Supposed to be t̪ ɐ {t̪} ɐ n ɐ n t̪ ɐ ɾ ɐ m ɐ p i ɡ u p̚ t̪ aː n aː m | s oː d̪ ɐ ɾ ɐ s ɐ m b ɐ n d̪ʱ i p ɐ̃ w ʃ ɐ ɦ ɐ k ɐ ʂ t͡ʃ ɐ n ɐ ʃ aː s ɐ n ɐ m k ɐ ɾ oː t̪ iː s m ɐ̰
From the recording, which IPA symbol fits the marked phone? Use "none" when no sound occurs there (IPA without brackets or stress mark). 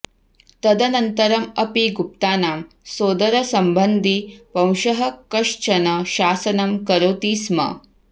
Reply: d̪